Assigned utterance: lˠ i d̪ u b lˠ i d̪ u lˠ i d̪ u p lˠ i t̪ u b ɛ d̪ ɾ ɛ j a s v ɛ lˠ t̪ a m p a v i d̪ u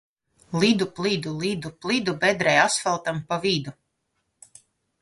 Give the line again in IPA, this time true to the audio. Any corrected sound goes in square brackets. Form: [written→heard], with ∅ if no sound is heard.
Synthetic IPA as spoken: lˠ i d̪ u [b→p] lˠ i d̪ u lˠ i d̪ u p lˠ i [t̪→d̪] u b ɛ d̪ ɾ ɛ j a s [v→f] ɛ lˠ t̪ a m p a v i d̪ u